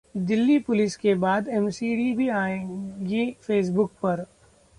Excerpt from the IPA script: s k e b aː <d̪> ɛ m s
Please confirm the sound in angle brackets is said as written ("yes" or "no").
yes